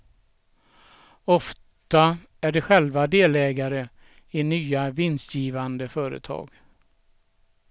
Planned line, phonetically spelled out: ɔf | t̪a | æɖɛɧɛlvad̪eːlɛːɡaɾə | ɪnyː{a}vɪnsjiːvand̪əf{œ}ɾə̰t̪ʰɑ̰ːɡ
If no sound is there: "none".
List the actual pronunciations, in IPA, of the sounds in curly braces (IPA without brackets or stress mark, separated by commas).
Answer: a, œː